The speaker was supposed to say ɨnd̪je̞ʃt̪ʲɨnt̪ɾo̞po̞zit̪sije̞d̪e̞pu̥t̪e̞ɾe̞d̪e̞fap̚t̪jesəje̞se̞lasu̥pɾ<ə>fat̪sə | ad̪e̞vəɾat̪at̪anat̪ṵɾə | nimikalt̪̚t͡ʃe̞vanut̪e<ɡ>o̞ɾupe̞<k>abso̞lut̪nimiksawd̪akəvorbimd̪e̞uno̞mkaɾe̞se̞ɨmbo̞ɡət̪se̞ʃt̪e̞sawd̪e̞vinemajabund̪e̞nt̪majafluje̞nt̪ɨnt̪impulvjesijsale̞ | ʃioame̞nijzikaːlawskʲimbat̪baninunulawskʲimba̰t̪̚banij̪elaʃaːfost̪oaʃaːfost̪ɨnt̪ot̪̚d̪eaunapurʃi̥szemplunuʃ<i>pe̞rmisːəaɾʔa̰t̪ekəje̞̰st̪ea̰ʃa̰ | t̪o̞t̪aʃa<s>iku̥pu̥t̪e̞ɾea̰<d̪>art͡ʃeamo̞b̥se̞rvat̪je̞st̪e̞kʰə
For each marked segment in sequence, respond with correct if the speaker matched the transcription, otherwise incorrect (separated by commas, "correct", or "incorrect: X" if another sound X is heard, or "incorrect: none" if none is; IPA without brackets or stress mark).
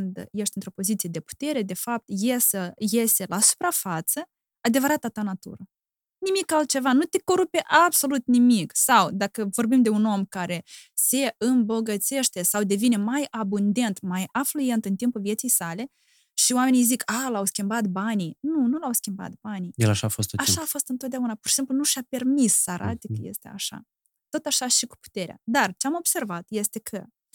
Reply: incorrect: a, incorrect: k, incorrect: ʔ, incorrect: a, incorrect: ʃ, correct